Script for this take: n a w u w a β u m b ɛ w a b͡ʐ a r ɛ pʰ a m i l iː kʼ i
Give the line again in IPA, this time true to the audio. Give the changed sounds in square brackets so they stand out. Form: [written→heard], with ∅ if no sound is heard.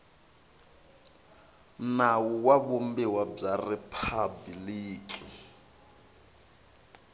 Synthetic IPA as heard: n a w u w a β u m b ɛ w a b͡ʐ a r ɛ pʰ a [m→b] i l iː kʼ i